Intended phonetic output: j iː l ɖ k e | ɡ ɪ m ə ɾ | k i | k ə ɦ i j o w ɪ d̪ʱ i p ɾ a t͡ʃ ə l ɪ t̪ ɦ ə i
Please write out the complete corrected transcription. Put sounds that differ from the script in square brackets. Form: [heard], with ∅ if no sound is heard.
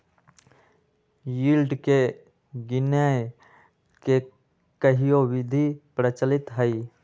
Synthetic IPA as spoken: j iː l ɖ k e | ɡ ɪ [n] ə [∅] | k [e] | k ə ɦ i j o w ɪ d̪ʱ i p ɾ [ə] t͡ʃ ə l ɪ t̪ ɦ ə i